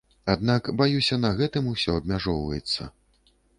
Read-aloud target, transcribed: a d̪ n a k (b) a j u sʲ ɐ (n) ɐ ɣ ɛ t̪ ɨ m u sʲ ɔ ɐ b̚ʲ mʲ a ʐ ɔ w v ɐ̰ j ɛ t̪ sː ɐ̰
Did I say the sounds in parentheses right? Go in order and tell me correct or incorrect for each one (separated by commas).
correct, correct